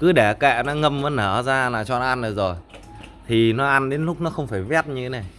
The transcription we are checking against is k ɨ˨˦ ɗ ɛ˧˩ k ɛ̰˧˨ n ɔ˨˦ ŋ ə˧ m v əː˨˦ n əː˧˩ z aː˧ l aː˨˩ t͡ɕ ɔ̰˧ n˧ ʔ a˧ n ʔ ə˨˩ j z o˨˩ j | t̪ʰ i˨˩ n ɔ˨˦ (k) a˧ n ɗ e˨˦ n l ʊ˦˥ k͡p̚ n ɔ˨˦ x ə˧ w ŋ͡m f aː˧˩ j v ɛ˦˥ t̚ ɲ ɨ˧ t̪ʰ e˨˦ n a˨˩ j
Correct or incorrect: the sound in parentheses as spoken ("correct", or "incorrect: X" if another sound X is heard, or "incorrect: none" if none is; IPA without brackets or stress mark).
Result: incorrect: ʔ